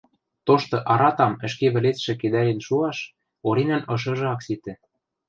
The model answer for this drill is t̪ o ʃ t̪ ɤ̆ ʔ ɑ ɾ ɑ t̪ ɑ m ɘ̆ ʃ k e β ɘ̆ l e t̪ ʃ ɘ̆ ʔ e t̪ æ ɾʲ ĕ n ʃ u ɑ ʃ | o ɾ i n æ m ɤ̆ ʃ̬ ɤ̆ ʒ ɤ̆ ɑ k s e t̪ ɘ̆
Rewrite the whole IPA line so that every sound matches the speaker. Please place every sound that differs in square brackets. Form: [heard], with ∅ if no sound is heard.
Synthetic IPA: t̪ o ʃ t̪ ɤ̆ ʔ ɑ ɾ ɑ t̪ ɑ m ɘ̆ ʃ k e β ɘ̆ l e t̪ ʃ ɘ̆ [k] e [d̪] æ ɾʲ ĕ n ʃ u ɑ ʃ | o ɾ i n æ [n] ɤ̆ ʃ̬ ɤ̆ ʒ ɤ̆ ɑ k s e t̪ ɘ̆